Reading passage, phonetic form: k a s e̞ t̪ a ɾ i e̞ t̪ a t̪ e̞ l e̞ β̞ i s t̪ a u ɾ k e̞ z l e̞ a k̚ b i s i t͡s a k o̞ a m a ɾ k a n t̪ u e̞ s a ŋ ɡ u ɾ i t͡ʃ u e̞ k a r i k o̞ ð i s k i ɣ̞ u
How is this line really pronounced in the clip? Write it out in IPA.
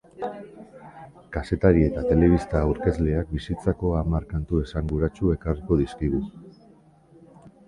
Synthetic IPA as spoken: k a s e̞ t̪ a ɾ i e̞ t̪ a t̪ e̞ l e̞ β̞ i s t̪ a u ɾ k e̞ z l e̞ a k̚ b i s i t͡s a k o̞ a m a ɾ k a n t̪ u e̞ s a ŋ ɡ u ɾ a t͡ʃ u e̞ k a r i k o̞ ð i s k i ɣ̞ u